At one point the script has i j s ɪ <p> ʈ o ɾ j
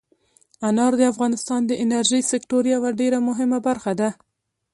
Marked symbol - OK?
no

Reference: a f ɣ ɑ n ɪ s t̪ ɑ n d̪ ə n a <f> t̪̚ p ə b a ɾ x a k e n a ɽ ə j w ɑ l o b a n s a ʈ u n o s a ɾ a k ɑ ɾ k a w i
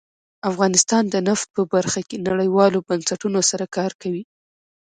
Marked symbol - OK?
yes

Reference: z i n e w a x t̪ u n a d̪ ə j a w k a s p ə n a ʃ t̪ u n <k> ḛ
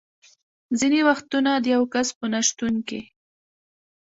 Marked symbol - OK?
yes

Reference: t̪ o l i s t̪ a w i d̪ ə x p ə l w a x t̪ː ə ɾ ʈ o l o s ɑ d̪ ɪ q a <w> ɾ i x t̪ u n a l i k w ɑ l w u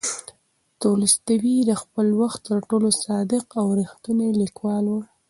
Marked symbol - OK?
yes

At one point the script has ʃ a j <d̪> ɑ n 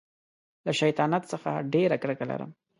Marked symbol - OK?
no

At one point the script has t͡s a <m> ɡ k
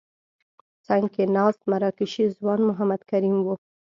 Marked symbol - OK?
no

